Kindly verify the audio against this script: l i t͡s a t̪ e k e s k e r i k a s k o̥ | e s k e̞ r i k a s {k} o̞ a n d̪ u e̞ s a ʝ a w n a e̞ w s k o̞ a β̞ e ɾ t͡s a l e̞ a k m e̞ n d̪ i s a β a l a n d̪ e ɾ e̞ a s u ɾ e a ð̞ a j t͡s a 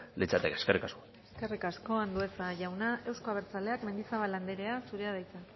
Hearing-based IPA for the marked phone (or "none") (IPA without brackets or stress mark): k